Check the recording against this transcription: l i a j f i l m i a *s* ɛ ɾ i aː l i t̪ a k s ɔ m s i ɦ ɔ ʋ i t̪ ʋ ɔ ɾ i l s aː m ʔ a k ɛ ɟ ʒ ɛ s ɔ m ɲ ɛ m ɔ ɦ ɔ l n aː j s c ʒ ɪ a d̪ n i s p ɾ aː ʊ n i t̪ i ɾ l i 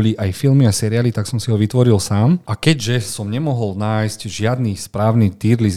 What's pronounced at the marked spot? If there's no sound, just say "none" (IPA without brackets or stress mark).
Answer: s